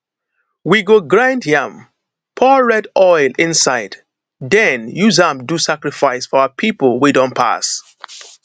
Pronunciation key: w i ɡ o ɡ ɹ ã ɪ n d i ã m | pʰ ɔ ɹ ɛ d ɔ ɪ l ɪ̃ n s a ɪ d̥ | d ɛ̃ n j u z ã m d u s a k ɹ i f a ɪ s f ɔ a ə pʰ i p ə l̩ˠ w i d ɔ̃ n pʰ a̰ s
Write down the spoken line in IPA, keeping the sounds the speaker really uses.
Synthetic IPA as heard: w i ɡ o ɡ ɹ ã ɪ n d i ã m | pʰ ɔ ɹ ɛ d ɔ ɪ l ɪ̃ n s a ɪ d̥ | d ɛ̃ n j u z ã m d u s a k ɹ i f a ɪ s f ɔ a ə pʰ i p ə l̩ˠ w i d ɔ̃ n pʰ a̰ s